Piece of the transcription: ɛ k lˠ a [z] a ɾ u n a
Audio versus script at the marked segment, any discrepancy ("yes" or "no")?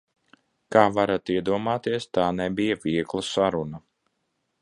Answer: yes